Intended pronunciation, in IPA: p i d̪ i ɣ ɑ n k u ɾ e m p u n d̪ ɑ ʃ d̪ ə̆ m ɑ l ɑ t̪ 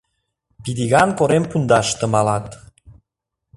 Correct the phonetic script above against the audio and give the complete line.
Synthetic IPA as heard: p i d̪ i ɣ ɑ n k o ɾ e m p u n d̪ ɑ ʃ t̪ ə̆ m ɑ l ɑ t̪